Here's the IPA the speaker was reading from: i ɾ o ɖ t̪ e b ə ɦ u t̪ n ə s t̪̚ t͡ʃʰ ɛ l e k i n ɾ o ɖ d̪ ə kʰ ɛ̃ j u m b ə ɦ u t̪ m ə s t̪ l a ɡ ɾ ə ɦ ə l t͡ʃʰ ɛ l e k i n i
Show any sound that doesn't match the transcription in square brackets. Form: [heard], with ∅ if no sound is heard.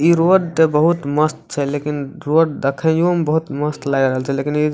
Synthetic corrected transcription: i ɾ o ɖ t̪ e b ə ɦ u t̪ [m] ə s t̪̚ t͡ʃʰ ɛ l e k i n ɾ o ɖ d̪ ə kʰ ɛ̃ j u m b ə ɦ u t̪ m ə s t̪ l a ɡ ɾ ə ɦ ə l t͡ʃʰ ɛ l e k i n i